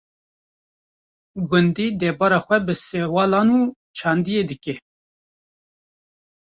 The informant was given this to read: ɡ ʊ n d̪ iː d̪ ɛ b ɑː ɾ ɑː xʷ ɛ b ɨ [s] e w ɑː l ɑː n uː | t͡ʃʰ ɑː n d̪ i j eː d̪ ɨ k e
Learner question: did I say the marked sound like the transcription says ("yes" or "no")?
yes